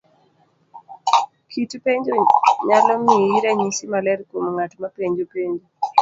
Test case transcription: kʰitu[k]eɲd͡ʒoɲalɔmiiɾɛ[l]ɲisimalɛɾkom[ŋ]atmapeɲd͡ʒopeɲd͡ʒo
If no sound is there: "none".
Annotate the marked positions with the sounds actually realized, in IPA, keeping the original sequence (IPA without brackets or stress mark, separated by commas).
p, none, ŋ